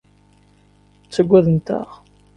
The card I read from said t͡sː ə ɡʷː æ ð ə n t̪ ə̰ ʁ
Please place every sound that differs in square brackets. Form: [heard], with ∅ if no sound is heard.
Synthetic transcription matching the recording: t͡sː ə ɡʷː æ ð ə n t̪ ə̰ ʁ